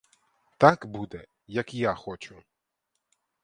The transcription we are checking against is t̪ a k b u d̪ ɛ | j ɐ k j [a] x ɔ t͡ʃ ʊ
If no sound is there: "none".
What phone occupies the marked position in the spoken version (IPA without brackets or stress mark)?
a